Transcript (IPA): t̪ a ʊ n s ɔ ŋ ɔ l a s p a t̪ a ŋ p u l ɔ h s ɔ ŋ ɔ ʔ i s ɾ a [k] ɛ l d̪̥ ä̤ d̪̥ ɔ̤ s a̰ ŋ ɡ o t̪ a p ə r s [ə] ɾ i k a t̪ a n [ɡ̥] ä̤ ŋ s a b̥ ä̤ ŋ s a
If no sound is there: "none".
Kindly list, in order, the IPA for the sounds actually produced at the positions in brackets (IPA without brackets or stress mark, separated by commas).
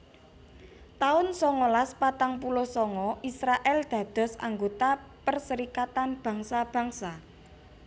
ʔ, ə, b̥